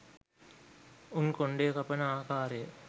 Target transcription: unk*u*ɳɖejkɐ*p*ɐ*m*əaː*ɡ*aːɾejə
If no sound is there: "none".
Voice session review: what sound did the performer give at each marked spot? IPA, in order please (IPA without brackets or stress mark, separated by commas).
o, p, n, k